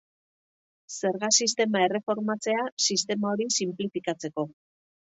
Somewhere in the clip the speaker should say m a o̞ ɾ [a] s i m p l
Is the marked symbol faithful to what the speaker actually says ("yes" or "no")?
no